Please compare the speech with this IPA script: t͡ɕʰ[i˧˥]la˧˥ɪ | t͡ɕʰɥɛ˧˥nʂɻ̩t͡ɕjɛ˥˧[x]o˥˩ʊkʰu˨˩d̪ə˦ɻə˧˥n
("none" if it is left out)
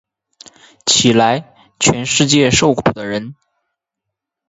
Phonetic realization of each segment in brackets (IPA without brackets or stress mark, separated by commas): i˨˩, ʂ